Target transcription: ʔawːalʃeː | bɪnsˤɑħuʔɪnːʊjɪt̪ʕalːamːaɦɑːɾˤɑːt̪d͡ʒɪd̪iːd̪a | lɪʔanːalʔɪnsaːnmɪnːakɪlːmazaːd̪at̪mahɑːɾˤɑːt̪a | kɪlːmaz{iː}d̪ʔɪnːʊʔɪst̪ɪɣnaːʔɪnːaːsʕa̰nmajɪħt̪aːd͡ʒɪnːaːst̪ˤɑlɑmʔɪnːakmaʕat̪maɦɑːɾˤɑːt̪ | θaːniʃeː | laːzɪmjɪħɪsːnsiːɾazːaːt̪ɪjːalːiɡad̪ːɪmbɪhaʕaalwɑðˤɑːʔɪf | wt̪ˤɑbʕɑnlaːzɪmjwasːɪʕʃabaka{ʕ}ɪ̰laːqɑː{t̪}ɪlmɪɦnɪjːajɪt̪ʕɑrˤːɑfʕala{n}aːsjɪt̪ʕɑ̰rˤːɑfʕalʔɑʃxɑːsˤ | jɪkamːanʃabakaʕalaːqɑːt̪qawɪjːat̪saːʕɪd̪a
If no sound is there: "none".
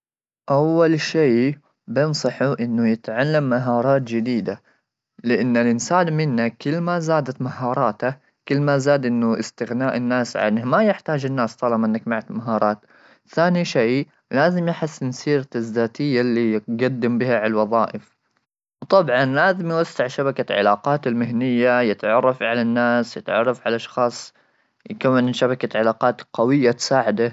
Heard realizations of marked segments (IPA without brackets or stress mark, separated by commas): aː, ʕ, t̪, nː